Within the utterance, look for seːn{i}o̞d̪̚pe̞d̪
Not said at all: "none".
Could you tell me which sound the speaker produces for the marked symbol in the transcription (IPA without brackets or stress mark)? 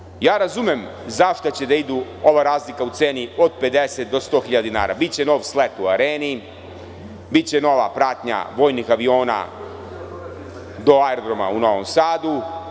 i